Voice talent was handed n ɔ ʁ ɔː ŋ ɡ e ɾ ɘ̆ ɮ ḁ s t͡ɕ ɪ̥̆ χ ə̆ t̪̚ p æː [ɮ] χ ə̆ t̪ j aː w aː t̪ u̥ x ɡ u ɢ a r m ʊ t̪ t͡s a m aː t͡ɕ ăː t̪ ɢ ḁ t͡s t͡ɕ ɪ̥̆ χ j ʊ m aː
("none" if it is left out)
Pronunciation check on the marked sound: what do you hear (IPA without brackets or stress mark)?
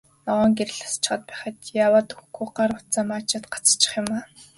none